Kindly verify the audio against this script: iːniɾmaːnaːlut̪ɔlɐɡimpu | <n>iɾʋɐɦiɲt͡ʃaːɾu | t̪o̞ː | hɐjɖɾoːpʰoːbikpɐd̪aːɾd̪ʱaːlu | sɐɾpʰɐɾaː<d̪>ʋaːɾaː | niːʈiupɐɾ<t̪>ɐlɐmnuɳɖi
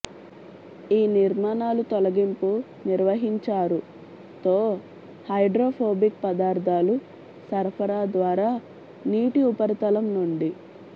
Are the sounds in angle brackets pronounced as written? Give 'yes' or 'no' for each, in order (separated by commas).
yes, yes, yes